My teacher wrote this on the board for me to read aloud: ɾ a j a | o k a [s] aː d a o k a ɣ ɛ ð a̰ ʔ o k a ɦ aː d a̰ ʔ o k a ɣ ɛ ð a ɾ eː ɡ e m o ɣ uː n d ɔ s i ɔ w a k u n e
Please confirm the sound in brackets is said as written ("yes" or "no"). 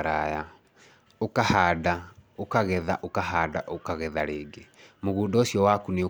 no